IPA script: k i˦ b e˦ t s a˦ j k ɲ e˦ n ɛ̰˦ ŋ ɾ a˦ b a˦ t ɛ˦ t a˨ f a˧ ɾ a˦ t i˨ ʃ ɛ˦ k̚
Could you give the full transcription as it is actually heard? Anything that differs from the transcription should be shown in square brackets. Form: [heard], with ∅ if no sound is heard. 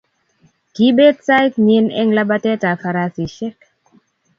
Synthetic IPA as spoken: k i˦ b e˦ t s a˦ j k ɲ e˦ n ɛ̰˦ ŋ [l] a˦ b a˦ t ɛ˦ t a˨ f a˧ ɾ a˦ [s] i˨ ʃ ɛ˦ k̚